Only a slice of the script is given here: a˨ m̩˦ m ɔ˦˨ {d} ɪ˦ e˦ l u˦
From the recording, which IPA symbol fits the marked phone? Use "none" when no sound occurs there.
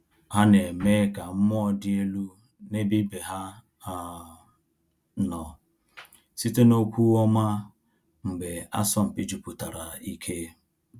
d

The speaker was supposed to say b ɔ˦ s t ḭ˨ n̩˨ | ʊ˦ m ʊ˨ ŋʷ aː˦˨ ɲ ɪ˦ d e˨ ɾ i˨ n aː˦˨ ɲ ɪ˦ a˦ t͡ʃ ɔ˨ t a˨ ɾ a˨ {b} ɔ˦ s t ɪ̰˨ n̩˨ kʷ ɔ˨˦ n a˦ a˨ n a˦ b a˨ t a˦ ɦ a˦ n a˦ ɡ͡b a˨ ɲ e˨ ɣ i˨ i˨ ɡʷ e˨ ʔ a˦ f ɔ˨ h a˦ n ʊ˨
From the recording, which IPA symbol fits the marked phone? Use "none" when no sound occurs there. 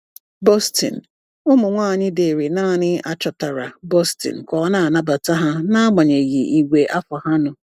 b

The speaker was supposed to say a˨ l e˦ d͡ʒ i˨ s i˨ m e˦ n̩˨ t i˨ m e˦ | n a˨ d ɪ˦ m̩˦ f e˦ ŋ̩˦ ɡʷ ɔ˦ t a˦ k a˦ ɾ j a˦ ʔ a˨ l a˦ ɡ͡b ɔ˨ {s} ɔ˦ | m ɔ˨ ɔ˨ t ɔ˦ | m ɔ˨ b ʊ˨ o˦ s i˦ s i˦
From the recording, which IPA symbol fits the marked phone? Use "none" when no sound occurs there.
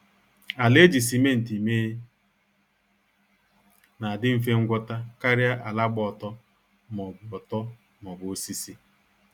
t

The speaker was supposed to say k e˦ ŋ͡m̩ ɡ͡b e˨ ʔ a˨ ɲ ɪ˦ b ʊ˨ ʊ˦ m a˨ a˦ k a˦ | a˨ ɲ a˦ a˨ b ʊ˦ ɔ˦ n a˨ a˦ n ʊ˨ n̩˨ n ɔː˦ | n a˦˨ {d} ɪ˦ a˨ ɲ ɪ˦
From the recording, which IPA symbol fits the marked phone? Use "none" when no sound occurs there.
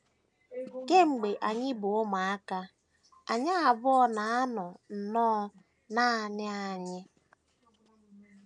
n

